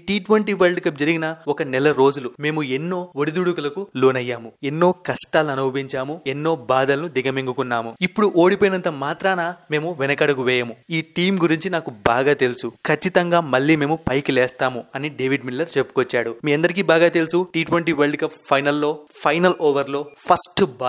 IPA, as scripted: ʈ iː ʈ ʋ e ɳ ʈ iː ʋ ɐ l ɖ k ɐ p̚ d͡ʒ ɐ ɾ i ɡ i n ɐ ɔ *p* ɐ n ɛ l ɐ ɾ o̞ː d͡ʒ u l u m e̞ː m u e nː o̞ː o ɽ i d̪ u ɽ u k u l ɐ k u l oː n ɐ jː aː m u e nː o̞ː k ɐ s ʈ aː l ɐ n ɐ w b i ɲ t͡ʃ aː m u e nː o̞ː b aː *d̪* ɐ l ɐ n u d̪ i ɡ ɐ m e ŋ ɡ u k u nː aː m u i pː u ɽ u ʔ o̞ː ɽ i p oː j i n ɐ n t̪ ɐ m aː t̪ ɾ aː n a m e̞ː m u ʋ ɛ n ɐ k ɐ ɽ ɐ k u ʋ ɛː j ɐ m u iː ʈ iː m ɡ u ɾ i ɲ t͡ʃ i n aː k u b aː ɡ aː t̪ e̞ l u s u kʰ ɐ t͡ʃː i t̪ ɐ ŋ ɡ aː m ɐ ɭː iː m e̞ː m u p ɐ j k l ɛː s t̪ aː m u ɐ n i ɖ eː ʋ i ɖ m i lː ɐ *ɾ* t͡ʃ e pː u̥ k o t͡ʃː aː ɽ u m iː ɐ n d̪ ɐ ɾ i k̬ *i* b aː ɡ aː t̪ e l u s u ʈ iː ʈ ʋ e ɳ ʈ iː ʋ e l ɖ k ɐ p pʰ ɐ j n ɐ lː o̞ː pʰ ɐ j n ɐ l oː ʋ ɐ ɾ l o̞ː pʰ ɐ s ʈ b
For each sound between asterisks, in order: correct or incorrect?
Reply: incorrect, correct, correct, incorrect

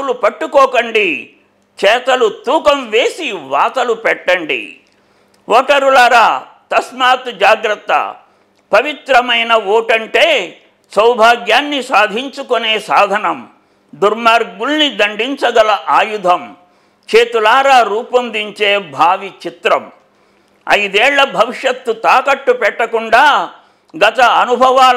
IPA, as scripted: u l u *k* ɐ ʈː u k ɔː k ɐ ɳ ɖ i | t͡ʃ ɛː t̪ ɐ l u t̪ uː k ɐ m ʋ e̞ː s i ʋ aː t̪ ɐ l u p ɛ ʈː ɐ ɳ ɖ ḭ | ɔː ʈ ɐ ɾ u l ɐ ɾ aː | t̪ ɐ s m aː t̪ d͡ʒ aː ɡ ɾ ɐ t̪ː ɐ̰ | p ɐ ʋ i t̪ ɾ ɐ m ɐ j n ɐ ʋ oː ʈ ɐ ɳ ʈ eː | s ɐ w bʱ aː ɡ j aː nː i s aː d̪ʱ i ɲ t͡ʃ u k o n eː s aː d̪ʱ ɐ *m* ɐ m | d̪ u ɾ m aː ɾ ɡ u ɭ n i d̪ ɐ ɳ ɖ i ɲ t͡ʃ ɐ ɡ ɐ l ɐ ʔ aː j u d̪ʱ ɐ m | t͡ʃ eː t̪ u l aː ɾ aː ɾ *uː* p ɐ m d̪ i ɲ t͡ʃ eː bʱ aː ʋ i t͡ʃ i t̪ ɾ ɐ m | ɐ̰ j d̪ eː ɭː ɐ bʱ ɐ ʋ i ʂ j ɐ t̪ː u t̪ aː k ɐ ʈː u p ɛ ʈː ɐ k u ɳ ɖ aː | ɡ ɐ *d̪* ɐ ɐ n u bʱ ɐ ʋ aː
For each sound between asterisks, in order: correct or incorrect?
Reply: incorrect, incorrect, correct, incorrect

